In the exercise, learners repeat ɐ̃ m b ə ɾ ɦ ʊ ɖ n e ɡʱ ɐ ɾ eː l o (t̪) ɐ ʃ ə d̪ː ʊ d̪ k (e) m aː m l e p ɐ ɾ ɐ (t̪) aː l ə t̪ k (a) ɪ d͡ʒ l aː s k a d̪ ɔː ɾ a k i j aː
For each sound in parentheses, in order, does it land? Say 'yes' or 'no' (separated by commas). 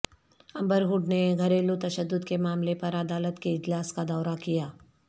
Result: yes, yes, no, no